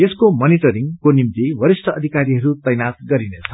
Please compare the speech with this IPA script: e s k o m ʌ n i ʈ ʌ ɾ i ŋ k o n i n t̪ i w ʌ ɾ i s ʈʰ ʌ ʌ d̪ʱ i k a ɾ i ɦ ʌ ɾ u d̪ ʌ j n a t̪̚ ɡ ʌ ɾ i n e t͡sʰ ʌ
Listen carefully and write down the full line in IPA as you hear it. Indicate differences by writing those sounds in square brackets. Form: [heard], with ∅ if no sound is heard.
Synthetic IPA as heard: e s k o m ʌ n i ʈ ʌ ɾ i ŋ k o n i [m] t̪ i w ʌ ɾ i s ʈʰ ʌ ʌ d̪ʱ i k a ɾ i ɦ ʌ ɾ u [t̪] ʌ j n a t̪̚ ɡ ʌ ɾ i n e t͡sʰ ʌ